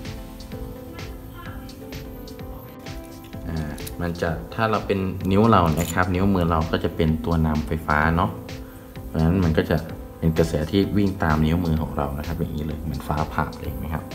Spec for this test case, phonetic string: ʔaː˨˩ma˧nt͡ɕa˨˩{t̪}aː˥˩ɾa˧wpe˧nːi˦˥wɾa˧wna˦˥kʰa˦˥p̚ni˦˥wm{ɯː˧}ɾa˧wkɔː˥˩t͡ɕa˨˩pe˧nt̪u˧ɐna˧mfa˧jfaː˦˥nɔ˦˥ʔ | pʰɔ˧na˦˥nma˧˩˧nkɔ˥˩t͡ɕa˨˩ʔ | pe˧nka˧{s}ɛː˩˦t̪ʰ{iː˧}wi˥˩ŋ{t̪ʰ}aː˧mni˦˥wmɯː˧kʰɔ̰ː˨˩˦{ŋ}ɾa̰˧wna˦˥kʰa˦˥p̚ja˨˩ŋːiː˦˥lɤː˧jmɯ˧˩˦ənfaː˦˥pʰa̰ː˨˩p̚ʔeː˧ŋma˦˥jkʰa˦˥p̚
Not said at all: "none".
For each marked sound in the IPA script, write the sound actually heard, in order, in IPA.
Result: t̪ʰ, ɯː˧, s, iː˥˩, t̪, ŋ

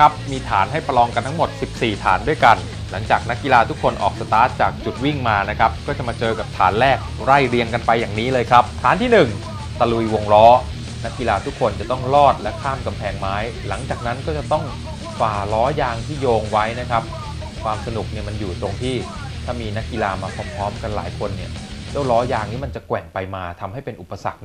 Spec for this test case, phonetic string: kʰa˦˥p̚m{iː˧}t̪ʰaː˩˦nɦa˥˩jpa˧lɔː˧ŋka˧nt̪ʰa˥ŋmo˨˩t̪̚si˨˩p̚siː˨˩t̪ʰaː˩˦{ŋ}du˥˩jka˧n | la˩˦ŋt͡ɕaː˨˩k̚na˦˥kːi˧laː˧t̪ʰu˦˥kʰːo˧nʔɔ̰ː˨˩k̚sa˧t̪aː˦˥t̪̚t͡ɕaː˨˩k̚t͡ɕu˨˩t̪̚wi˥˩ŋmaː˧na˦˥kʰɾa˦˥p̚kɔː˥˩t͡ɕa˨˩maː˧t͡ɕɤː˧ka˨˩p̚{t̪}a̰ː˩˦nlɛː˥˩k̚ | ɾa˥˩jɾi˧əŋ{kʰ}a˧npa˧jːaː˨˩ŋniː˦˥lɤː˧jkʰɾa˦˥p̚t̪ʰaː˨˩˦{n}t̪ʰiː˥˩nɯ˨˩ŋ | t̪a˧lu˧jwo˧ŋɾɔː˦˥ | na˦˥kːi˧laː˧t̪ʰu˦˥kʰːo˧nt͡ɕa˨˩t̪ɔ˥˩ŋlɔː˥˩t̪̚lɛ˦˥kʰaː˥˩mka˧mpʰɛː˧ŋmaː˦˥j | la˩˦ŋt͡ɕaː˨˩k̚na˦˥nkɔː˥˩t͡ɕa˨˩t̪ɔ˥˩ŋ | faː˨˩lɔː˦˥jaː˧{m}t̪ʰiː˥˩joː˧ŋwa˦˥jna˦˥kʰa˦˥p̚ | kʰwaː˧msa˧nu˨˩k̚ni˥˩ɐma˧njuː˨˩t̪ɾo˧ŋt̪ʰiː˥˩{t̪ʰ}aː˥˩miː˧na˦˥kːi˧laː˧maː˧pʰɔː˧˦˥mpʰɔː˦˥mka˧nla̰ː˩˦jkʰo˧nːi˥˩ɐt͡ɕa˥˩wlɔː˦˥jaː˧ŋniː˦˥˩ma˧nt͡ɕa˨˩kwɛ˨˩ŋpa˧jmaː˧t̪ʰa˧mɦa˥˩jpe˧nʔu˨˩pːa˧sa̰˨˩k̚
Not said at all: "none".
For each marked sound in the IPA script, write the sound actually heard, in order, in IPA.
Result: iː˧, n, t̪ʰ, k, n, ŋ, t̪ʰ

